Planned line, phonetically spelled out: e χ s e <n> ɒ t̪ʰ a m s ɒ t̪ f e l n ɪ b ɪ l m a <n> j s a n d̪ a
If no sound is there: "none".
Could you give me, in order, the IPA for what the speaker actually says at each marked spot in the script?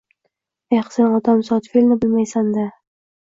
n, none

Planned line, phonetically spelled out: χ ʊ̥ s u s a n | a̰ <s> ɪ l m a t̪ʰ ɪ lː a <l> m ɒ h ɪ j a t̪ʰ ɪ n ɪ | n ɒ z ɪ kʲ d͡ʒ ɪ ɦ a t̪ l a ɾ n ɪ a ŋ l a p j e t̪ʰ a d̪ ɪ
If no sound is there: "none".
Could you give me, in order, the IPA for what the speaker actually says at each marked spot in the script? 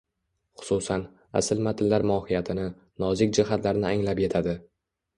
s, ɾ

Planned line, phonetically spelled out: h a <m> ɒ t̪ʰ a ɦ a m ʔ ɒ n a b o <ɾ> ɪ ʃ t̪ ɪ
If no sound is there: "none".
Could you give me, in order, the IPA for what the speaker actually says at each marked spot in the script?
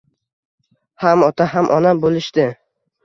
m, l

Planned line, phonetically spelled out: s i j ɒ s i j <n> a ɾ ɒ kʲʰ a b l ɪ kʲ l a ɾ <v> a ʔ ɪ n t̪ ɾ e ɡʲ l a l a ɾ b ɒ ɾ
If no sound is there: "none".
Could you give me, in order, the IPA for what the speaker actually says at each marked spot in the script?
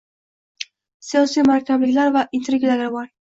m, v

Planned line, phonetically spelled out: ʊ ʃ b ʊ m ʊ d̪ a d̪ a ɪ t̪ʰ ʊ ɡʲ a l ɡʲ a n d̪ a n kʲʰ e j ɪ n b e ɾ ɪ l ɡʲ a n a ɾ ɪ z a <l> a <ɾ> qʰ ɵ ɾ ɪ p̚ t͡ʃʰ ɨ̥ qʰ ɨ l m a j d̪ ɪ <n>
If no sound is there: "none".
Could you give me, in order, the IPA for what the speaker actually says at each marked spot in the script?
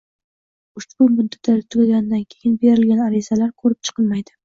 l, ɾ, none

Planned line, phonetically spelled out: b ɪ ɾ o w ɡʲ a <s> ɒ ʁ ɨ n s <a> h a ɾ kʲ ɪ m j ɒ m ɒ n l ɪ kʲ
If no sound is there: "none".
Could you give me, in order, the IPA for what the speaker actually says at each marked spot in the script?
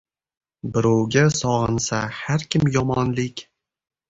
s, a

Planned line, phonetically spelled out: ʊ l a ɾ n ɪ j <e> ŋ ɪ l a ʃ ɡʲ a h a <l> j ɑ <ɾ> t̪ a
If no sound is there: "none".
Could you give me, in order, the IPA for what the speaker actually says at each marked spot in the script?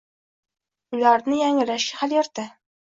a, l, ɾ

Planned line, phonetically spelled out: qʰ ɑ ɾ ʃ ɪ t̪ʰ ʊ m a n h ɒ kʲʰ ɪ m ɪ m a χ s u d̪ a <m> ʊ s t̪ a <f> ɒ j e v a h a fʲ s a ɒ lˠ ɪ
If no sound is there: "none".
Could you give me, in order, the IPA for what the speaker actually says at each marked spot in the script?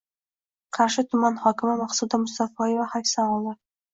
m, f

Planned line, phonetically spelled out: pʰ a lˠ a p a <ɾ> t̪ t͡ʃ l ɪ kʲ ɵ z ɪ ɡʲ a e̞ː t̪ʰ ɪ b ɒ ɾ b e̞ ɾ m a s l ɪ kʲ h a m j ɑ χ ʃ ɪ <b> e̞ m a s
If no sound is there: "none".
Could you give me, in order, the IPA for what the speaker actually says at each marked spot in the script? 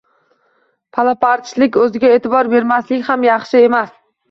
ɾ, none

